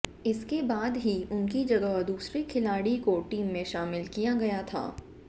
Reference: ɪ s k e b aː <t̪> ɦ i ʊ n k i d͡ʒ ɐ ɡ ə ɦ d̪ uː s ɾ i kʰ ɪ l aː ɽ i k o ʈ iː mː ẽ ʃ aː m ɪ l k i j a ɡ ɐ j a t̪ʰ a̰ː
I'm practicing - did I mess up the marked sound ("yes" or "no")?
yes